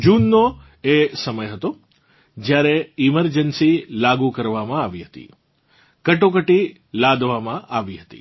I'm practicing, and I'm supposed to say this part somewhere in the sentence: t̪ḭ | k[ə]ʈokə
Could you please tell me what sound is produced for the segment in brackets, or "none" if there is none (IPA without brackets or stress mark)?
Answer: ə